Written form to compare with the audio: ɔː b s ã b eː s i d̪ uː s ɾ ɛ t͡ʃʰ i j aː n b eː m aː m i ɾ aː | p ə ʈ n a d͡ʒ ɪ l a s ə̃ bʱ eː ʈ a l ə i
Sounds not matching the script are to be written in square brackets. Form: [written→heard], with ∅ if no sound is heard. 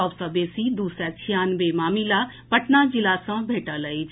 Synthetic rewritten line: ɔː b s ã b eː s i d̪ uː s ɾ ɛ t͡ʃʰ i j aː n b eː m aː m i [ɾ→l] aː | p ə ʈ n a d͡ʒ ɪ l a s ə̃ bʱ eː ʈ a l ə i